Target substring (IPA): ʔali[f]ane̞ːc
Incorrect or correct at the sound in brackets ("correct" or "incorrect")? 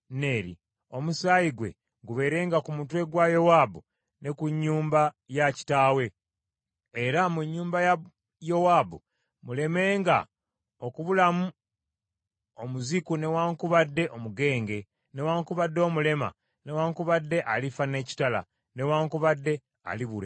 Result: correct